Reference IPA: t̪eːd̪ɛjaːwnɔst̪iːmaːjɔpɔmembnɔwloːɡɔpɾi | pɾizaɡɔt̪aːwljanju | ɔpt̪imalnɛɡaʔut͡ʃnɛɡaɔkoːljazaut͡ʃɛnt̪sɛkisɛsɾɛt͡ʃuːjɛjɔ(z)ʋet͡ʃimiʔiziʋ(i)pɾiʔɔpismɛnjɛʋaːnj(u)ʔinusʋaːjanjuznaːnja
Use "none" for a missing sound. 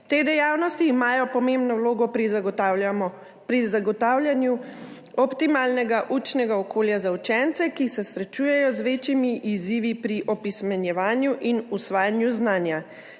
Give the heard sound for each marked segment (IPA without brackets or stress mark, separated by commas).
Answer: z, i, u